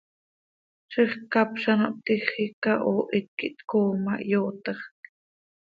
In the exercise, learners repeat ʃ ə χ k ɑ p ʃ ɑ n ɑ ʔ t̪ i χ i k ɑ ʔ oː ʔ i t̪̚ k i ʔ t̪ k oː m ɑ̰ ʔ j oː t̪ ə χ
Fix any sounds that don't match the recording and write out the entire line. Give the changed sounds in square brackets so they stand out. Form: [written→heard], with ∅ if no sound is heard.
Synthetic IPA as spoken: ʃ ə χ k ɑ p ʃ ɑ n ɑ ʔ t̪ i χ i k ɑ ʔ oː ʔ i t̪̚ k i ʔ t̪ k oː m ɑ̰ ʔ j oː t̪ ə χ